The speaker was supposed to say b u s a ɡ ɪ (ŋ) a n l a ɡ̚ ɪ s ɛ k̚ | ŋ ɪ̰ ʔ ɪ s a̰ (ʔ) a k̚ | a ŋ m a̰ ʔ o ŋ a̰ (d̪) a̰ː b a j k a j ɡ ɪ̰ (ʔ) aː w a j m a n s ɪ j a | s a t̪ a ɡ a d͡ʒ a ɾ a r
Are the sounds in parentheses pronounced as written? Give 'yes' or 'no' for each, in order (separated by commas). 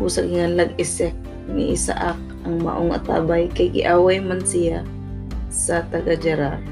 yes, yes, no, yes